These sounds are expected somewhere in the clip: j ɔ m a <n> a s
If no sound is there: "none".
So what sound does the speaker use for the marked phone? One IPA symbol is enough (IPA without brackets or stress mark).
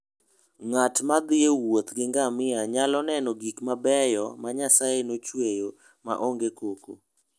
ɲ